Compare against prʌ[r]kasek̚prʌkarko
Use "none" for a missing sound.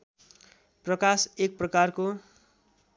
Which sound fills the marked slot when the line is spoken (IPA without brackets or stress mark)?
none